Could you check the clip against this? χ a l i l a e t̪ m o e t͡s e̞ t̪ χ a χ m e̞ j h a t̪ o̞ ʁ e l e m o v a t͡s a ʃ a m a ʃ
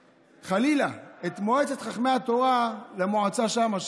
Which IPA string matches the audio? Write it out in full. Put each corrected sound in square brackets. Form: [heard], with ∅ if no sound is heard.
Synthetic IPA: χ a l i l a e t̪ m o e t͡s e̞ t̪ χ a χ m e̞ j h a t̪ o̞ ʁ [a] l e m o [ʕ] a t͡s a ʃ a m a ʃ